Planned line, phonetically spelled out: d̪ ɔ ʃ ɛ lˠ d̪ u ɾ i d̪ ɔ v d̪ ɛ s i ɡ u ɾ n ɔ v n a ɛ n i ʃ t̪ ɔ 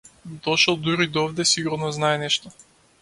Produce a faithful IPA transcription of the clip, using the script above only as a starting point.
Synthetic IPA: d̪ ɔ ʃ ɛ lˠ d̪ u ɾ i d̪ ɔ v d̪ ɛ s i ɡ u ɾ n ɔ z n a ɛ n ɛ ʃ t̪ ɔ